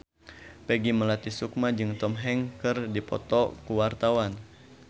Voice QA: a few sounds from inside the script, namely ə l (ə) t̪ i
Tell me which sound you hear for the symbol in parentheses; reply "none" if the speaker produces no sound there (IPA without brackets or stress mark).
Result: a